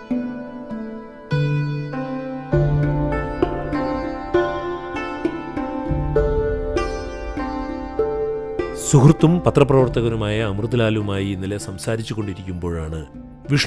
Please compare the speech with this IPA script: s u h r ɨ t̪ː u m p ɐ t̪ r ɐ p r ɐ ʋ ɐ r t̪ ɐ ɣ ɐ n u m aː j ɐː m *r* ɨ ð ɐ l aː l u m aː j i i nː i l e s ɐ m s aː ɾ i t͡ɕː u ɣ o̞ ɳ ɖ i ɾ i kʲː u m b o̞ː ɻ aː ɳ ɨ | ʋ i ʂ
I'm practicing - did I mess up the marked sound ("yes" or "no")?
no